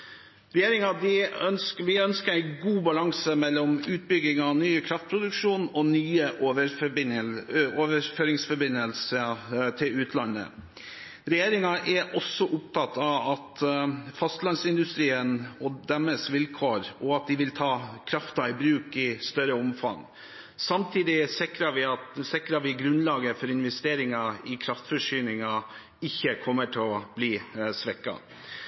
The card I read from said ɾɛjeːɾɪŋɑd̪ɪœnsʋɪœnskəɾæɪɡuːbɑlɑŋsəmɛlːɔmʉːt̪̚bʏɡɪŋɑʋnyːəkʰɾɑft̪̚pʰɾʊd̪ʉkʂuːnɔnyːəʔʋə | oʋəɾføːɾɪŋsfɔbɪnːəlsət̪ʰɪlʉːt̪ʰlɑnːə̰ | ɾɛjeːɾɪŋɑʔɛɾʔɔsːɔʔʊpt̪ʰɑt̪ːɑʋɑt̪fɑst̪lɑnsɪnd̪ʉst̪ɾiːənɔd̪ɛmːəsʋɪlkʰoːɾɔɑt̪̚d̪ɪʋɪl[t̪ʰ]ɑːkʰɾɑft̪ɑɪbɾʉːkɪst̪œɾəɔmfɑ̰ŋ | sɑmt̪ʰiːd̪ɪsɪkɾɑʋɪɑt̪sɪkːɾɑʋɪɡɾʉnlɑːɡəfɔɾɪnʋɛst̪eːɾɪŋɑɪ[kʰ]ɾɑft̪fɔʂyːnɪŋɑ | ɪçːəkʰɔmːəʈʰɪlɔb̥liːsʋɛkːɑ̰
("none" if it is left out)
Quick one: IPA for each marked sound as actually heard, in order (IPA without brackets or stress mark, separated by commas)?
t̪ʰ, kʰ